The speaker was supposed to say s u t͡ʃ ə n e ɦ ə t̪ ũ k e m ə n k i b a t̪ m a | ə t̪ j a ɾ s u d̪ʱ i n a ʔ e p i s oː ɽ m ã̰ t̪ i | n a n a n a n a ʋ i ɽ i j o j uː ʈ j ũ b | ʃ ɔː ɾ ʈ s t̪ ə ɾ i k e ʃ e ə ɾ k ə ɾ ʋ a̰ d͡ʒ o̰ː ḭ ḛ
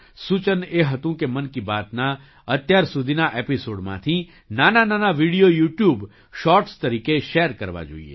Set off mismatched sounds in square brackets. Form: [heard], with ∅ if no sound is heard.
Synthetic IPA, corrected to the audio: s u t͡ʃ ə n e ɦ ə t̪ ũ k e m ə n k i b a t̪ [n] a | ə t̪ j a ɾ s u d̪ʱ i n a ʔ e p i s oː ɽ m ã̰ [t̪ʰ] i | n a n a n a n a ʋ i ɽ i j o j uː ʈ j [u] b | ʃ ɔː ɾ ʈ s t̪ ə ɾ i k e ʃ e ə ɾ k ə ɾ ʋ a̰ d͡ʒ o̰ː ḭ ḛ